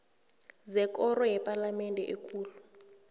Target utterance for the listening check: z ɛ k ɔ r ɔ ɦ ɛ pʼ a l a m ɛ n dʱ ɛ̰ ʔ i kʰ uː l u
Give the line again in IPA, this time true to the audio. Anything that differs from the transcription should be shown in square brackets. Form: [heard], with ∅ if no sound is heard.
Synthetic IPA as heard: z ɛ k ɔ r ɔ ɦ ɛ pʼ a l a m ɛ n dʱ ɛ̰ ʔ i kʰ uː l u